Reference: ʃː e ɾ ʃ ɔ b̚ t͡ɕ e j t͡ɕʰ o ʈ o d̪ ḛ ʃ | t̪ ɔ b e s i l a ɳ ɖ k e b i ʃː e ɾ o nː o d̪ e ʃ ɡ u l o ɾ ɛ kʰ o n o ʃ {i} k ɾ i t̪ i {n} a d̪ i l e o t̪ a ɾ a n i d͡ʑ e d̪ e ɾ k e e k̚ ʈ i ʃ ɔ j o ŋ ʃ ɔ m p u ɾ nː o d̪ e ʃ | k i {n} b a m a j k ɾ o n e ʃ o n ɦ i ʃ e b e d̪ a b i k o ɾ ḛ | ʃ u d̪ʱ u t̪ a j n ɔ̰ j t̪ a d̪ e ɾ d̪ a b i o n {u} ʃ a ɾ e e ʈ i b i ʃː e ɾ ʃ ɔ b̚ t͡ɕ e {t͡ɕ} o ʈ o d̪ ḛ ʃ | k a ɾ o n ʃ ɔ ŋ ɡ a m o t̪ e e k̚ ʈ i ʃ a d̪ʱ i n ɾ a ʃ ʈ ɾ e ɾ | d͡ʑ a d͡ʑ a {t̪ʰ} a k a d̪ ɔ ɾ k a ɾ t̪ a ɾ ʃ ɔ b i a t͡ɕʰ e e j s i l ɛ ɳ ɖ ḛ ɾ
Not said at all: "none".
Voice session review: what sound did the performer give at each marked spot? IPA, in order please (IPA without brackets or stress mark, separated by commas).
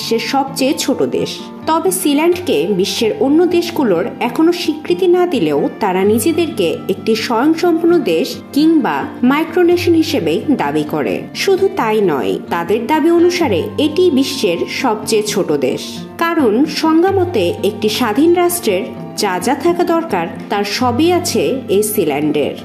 i, n, ŋ, u, t͡ɕʰ, t̪ʰ